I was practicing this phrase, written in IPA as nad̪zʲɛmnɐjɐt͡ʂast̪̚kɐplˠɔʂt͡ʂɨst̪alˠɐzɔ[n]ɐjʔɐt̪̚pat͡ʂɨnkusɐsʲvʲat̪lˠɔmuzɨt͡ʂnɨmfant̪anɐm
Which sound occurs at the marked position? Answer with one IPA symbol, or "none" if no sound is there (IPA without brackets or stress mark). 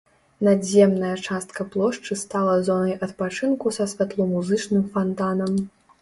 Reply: n